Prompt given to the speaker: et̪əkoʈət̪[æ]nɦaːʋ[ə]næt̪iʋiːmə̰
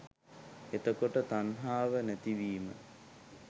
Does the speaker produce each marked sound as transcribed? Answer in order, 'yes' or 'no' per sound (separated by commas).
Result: no, yes